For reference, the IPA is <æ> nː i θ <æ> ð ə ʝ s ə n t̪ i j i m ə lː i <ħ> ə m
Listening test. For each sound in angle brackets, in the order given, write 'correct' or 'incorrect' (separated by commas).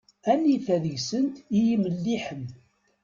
correct, correct, correct